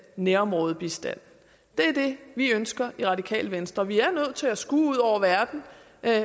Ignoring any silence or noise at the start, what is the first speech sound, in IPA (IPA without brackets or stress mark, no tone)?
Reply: n